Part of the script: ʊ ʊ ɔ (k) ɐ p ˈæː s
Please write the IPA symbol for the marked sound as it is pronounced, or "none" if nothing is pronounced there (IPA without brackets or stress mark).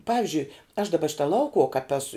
k